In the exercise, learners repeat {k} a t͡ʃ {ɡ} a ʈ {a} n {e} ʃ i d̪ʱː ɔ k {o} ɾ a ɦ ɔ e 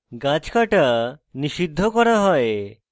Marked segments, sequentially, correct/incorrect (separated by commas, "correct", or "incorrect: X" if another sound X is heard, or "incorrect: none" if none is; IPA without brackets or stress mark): incorrect: ɡ, incorrect: k, correct, incorrect: i, incorrect: ɔ